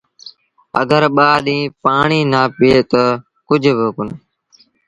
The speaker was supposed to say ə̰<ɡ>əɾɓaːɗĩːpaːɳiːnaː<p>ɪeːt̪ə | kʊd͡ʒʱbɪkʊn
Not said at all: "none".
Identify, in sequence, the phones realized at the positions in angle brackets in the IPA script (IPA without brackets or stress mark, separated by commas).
ɡ, p